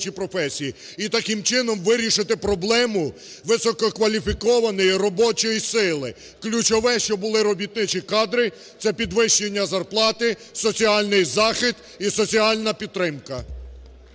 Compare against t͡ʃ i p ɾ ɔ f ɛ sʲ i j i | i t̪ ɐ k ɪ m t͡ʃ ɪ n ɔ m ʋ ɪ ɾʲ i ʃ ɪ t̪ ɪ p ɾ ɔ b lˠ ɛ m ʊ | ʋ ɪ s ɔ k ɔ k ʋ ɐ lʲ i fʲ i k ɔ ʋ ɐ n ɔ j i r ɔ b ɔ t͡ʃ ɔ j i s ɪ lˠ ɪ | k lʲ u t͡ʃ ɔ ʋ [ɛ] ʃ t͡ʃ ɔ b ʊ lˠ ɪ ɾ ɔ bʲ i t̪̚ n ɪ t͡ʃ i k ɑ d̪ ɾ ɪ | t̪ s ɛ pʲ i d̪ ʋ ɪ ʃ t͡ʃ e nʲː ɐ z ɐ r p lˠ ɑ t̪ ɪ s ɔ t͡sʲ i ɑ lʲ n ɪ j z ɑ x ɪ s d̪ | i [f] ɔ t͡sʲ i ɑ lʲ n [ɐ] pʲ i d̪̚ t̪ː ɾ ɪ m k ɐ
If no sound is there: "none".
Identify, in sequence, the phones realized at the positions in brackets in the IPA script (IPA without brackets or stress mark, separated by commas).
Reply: ɛ, s, ɐ